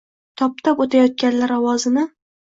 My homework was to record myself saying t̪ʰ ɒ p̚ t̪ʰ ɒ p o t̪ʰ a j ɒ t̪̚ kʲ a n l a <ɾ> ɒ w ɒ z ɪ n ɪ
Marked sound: correct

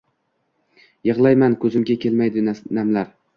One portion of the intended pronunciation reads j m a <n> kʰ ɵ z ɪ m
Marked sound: correct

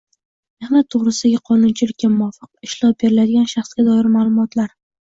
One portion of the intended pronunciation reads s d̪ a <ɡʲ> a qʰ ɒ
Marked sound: correct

